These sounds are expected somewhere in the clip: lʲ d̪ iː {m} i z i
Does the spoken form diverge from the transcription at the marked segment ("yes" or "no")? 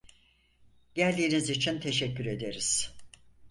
yes